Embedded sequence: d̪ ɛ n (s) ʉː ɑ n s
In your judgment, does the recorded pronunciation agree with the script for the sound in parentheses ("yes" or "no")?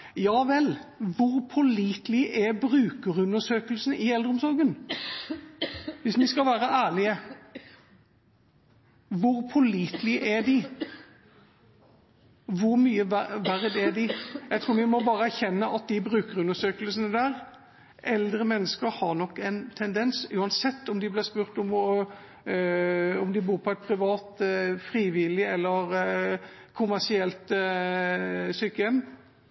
yes